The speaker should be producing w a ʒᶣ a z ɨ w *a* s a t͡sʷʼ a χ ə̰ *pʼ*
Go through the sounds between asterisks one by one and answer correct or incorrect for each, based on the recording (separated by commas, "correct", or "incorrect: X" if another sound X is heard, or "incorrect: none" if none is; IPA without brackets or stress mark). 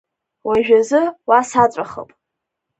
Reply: correct, correct